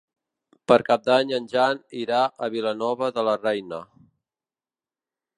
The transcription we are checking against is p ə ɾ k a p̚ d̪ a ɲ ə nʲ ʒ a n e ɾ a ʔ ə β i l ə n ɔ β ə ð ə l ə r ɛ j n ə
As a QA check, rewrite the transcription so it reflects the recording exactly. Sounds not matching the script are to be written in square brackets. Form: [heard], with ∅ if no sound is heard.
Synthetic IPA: p ə ɾ k a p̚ d̪ a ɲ ə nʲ ʒ a n [i] ɾ a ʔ ə β i l ə n ɔ β ə ð ə l ə r ɛ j n ə